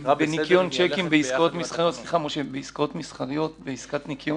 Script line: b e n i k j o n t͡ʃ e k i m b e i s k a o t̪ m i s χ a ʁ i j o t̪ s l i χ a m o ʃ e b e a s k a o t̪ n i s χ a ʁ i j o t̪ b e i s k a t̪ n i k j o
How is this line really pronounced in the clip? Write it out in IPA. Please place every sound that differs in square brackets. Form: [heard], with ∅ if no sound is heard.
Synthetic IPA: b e n i k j o n t͡ʃ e k i m b e i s k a o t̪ m i s χ a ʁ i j o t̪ s l i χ a m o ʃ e b e [i] s k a o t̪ [m] i s χ a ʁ i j o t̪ b e i s k a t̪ n i k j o